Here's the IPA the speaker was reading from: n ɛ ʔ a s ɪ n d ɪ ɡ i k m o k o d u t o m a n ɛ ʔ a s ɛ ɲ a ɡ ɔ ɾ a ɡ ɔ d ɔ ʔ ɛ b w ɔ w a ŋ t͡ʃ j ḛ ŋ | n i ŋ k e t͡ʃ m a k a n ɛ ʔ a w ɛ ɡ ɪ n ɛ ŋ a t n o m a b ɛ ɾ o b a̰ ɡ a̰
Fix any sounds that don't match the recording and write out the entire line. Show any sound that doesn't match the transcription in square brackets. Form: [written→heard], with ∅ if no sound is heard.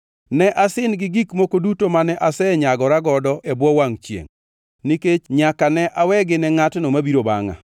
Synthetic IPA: n ɛ ʔ a s ɪ n [d→ɡ] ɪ ɡ i k m o k o d u t o m a n ɛ ʔ a s ɛ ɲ a ɡ ɔ ɾ a ɡ ɔ d ɔ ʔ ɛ b w ɔ w a ŋ t͡ʃ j ḛ ŋ | n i [ŋ→∅] k e t͡ʃ [m→ɲ] a k a n ɛ ʔ a w ɛ ɡ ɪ n ɛ ŋ a t n o m a b [ɛ→i] ɾ o b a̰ [ɡ→ŋ] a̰